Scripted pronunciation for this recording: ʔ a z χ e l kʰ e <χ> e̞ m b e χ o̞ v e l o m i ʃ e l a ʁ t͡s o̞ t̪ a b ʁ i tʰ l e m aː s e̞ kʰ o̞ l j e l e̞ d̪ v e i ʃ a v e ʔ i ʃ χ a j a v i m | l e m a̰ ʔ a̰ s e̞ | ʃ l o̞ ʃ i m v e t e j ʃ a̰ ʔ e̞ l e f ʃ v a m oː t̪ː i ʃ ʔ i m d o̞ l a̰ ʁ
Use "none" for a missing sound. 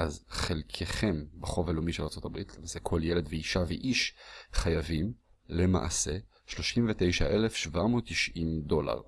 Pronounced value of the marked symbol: χ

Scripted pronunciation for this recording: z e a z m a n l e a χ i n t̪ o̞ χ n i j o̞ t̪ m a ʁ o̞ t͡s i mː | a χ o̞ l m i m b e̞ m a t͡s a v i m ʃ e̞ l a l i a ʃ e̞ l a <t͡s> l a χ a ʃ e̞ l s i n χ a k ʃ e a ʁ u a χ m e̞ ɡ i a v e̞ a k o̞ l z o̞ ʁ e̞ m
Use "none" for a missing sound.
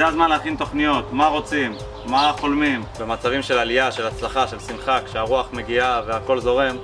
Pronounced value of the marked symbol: t͡s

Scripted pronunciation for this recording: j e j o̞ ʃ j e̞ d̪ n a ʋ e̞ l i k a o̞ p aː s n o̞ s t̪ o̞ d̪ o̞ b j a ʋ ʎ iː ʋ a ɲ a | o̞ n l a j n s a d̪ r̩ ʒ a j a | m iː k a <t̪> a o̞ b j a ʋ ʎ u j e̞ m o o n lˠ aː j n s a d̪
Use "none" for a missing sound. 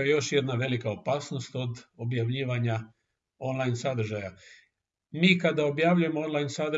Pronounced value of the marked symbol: d̪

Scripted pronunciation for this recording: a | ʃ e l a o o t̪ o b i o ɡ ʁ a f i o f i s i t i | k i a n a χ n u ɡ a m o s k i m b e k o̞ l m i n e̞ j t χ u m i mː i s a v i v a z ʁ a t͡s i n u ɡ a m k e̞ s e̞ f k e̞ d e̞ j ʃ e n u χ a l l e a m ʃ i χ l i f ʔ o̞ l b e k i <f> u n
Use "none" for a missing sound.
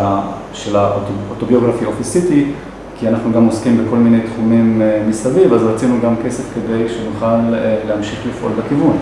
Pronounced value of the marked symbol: v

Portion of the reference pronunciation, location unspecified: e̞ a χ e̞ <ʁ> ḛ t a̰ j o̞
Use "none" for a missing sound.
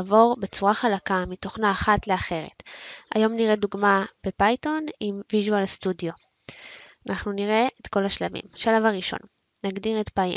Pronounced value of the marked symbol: ʁ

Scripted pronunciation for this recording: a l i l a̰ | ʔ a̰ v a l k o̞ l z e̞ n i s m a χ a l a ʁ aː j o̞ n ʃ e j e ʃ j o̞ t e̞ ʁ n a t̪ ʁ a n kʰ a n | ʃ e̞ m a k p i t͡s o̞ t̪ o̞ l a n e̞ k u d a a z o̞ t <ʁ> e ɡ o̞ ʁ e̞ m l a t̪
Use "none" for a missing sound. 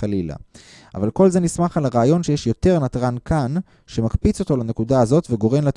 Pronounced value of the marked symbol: v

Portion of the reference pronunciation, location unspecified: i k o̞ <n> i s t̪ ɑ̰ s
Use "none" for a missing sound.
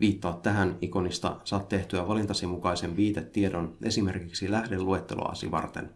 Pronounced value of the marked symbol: n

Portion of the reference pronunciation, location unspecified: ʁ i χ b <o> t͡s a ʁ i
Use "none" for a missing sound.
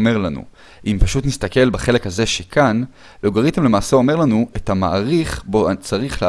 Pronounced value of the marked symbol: o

